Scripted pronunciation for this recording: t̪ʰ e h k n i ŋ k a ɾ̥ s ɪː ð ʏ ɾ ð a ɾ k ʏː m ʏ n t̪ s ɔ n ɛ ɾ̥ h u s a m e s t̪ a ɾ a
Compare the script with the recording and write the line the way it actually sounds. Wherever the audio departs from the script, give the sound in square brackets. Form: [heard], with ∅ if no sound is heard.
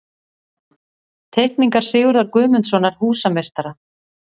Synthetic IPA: t̪ʰ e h k n i ŋ k a ɾ̥ s ɪː [ɣ] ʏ ɾ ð a ɾ k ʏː m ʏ n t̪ s ɔ n [a] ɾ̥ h [uː] s a m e s t̪ a ɾ a

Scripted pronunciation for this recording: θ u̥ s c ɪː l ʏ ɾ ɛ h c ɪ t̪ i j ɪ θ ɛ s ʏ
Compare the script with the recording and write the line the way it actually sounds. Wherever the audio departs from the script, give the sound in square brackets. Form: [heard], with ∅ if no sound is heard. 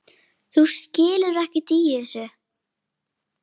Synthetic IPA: θ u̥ s c ɪː l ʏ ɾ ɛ h c ɪ t̪ i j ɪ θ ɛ s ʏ

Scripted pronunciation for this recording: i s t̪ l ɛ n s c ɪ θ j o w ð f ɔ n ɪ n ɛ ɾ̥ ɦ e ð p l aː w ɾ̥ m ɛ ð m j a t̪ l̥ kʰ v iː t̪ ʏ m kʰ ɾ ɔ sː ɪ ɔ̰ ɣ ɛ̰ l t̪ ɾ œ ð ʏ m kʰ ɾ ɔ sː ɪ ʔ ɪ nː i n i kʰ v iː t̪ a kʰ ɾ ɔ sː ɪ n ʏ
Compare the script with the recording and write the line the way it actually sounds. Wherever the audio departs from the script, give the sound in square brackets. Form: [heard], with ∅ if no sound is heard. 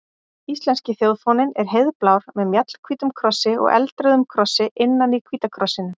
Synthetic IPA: i s t̪ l ɛ n s c ɪ θ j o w ð f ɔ n ɪ n ɛ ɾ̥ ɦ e ð p l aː w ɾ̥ m ɛ ð m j a t̪ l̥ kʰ v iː t̪ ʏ m kʰ ɾ ɔ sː ɪ ɔ̰ ɣ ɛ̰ l t̪ ɾ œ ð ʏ m kʰ ɾ ɔ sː ɪ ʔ ɪ nː [a] n i kʰ v iː t̪ a kʰ ɾ ɔ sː ɪ n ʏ

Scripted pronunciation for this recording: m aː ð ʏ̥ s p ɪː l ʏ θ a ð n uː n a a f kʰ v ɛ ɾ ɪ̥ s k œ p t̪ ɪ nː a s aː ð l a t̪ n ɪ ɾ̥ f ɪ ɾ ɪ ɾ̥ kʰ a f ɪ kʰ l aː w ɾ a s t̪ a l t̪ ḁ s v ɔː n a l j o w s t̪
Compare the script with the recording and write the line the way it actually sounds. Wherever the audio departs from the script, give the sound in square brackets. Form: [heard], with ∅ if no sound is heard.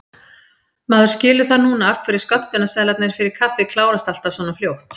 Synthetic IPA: m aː ð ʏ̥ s [c] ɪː l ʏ θ a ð n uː n a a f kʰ v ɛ ɾ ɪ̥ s k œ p t̪ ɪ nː a s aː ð l a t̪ n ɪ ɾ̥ f ɪ ɾ ɪ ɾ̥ kʰ a f ɪ kʰ l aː w ɾ a s t̪ a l t̪ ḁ s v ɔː n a l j o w [h] t̪

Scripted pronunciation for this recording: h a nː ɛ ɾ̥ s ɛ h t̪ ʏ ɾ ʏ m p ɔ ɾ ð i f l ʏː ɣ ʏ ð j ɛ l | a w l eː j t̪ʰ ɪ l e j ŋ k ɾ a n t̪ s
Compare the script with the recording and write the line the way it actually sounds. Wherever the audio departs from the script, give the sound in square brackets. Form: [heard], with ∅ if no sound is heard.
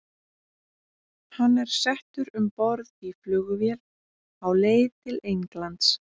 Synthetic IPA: h a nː ɛ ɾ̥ s ɛ h t̪ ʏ ɾ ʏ m p ɔ ɾ ð i f l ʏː ɣ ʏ [v] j ɛ l | a w l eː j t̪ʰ ɪ l e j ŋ k [l] a n t̪ s

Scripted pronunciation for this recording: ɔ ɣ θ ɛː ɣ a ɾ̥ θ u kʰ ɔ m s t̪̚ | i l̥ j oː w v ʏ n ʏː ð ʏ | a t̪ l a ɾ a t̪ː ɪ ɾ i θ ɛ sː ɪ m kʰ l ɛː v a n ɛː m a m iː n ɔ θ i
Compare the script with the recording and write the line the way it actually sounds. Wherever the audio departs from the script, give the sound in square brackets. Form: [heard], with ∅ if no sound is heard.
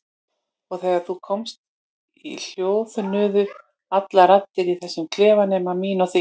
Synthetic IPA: ɔ ɣ θ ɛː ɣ a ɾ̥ θ u kʰ ɔ m s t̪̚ | i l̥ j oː w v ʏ n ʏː ð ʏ | a t̪ l a ɾ a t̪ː ɪ ɾ i θ ɛ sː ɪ m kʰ l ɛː v a n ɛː m a m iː n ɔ θ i

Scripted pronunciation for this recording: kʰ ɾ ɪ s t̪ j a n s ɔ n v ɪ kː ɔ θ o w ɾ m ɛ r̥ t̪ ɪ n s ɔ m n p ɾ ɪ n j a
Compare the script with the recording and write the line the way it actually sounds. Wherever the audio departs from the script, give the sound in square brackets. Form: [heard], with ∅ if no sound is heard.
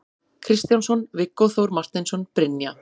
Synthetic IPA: kʰ ɾ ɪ s t̪ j a n s ɔ n v ɪ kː ɔ θ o w ɾ m [a] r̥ t̪ ɪ n s ɔ [∅] n p ɾ ɪ n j a

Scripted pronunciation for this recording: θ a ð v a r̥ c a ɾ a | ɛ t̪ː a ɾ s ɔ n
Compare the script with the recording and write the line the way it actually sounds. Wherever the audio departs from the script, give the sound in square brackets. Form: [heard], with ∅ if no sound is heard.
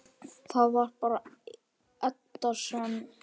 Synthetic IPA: θ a ð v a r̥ [p] a ɾ a | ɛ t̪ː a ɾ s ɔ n

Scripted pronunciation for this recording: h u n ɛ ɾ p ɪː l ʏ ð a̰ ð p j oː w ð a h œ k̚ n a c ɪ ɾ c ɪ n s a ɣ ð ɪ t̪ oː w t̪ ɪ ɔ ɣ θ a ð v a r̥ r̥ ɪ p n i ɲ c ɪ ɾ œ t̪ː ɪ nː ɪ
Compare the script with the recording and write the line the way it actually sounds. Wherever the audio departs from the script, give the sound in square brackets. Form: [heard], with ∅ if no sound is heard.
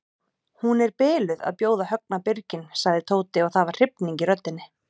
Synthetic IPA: h u n ɛ ɾ p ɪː l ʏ ð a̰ ð p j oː w ð a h œ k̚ n a [p] ɪ ɾ c ɪ n s a ɣ ð ɪ [t̪ʰ] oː w t̪ ɪ ɔ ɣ θ a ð v a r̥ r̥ ɪ p n i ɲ c ɪ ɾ œ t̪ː ɪ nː ɪ

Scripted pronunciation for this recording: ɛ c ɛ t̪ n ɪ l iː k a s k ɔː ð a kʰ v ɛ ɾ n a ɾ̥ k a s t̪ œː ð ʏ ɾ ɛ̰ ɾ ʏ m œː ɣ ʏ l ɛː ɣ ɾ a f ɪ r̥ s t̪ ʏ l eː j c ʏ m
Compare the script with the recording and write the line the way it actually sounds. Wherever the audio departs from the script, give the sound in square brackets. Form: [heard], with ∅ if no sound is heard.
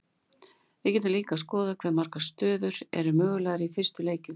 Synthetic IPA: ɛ c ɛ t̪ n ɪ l iː k a s k ɔː ð a kʰ v ɛ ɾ [m] a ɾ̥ k a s t̪ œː ð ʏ ɾ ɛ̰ ɾ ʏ m œː ɣ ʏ l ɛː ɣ ɾ [i] f ɪ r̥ s t̪ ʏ l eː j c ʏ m

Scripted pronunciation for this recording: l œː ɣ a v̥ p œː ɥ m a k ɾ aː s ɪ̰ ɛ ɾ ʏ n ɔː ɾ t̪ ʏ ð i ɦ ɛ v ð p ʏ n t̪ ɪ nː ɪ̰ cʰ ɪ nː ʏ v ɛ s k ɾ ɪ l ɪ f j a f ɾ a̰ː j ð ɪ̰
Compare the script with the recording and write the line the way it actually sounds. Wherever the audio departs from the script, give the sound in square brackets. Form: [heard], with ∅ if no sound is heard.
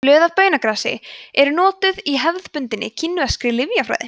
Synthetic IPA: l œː [ð] a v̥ p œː ɥ [n] a k ɾ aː s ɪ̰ ɛ ɾ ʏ n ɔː [∅] t̪ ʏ ð i ɦ ɛ v ð p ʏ n t̪ ɪ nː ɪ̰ cʰ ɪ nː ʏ v ɛ s k ɾ ɪ l ɪ [v] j a f ɾ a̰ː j ð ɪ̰

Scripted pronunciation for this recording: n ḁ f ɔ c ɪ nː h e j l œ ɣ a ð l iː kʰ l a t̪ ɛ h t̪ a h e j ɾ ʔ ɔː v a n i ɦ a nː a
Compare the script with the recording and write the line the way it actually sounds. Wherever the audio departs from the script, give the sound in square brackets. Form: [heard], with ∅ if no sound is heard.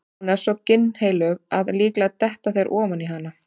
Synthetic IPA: n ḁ [s] ɔ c ɪ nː h e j l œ ɣ a ð l iː [k] l a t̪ ɛ h t̪ a [θ] e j ɾ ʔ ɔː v a n i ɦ a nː a

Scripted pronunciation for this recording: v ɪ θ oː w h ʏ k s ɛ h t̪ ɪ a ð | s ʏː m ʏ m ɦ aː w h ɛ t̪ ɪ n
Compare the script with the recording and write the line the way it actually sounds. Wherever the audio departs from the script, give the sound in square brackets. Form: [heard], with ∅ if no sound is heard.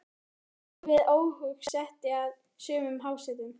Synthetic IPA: v ɪ [ð] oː w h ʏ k s ɛ h t̪ ɪ a ð | s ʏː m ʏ m ɦ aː w [s] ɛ t̪ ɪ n

